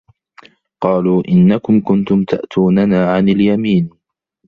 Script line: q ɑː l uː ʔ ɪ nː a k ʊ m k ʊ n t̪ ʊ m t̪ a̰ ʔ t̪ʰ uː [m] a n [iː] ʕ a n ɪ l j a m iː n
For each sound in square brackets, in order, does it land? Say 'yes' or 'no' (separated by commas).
no, no